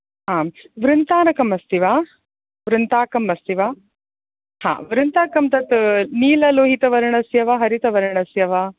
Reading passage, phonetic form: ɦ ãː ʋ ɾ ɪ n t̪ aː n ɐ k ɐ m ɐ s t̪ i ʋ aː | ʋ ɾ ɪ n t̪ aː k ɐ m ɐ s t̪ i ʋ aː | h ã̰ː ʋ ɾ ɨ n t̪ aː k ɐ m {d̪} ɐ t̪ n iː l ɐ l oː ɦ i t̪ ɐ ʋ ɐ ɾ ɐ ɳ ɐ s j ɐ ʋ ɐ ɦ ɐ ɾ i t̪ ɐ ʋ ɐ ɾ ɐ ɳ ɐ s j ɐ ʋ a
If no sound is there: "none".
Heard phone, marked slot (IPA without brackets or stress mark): t̪